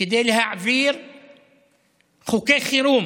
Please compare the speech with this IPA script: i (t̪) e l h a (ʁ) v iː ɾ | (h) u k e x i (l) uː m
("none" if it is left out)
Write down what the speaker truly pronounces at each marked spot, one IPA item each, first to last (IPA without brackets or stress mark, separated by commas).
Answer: d̪, ʕ, x, ɾ